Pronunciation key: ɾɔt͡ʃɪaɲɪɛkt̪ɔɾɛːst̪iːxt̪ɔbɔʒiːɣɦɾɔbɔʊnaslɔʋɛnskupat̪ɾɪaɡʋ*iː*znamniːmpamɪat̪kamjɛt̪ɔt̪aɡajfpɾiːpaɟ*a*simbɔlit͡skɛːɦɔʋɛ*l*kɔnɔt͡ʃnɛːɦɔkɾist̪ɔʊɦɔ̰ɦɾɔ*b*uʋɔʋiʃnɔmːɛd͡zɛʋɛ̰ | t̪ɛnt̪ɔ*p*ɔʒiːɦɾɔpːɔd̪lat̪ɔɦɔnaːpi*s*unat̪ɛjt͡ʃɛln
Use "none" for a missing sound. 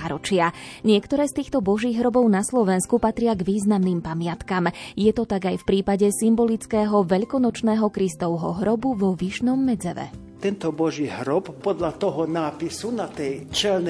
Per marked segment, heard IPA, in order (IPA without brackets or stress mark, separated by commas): iː, ɛ, ʎ, b, b, s